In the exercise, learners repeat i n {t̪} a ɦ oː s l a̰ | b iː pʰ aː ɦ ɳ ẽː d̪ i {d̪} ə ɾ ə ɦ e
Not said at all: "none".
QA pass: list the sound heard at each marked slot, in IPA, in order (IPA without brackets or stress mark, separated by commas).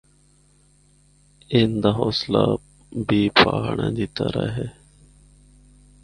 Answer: d̪, t̪